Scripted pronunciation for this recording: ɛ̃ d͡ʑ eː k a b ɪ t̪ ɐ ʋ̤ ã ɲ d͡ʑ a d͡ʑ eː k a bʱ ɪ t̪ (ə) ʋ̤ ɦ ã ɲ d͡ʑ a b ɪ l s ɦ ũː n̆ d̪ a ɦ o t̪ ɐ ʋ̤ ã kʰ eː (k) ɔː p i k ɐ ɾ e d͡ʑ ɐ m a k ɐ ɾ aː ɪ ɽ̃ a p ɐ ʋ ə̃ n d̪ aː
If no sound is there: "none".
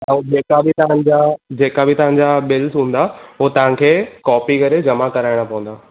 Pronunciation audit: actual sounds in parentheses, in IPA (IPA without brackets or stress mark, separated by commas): ɐ, k